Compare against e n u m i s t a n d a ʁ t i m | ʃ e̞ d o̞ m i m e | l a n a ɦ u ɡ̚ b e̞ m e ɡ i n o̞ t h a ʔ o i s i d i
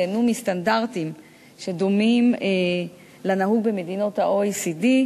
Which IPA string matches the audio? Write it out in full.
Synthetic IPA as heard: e n u m i s t a n d a ʁ t i m | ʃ e̞ d o̞ m i m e | l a n a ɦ u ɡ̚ b e̞ m e d i n o̞ t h a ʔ o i s i d i